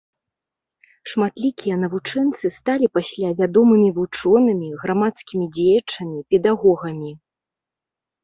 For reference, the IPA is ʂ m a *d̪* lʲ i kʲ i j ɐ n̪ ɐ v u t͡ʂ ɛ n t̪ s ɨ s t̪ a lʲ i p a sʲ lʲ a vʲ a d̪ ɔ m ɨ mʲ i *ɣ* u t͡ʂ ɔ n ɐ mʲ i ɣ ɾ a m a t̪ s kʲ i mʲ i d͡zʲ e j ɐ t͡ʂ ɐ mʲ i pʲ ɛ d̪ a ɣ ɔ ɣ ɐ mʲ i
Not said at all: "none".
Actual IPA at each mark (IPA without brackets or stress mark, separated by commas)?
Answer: t̪, v